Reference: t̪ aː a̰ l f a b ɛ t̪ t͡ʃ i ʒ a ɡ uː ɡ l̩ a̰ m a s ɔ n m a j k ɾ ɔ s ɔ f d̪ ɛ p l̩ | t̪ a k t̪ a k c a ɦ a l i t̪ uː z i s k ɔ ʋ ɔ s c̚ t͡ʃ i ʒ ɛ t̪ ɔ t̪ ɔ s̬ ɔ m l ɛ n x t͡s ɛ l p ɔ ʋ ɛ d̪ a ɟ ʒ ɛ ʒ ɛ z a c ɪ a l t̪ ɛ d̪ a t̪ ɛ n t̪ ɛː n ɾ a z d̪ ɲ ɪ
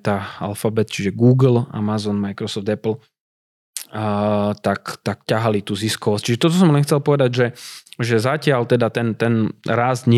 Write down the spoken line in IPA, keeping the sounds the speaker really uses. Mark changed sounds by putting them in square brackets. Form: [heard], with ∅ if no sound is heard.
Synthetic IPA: t̪ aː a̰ l f a b ɛ t̪ t͡ʃ i ʒ [ɛ] ɡ uː ɡ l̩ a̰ m a [z] ɔ n m a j k ɾ ɔ s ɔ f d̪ ɛ p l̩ | t̪ a k t̪ a k c a ɦ a l i t̪ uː z i s k ɔ ʋ ɔ s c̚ t͡ʃ i ʒ ɛ t̪ ɔ t̪ ɔ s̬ ɔ m l ɛ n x t͡s ɛ l p ɔ ʋ ɛ d̪ a ɟ ʒ ɛ ʒ ɛ z a c ɪ a l t̪ ɛ d̪ a t̪ ɛ n t̪ [ɛ] n ɾ a z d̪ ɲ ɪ